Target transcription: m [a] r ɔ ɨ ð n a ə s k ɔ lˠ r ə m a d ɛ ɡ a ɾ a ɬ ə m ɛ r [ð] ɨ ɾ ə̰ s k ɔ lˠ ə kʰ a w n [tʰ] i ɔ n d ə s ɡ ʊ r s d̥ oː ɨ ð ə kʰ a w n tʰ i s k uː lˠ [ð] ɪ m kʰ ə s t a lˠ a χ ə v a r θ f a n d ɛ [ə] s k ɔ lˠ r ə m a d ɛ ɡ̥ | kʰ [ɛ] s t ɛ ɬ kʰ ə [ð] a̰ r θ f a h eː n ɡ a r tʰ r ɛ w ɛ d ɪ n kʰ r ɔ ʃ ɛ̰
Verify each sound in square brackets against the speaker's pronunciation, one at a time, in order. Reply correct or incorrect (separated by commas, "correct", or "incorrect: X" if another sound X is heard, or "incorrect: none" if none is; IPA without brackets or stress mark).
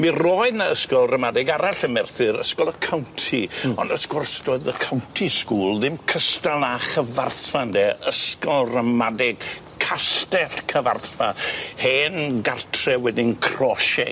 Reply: incorrect: i, incorrect: θ, correct, correct, correct, incorrect: a, incorrect: v